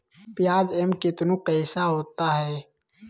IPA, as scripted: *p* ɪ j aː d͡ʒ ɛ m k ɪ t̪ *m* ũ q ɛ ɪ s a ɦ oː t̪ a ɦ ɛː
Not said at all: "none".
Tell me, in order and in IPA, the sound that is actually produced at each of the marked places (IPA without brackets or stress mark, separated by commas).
p, n